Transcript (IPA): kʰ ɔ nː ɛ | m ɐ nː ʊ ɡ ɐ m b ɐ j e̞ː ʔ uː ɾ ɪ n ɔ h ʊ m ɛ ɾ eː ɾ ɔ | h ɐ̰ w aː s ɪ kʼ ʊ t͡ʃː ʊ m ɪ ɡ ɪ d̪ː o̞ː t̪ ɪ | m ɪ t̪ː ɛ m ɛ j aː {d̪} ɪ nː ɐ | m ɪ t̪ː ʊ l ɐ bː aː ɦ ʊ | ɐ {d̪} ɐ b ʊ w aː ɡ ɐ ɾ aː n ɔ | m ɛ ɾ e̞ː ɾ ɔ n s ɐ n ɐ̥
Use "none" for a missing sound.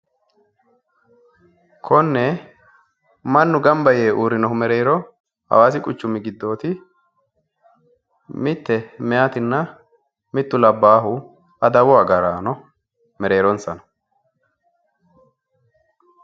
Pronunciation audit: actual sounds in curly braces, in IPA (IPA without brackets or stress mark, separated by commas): t̪, d̪